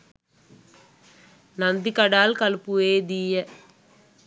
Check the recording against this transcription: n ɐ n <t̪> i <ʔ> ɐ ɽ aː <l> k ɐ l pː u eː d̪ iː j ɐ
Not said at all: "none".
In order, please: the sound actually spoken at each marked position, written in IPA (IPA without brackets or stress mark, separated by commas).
d̪, k, l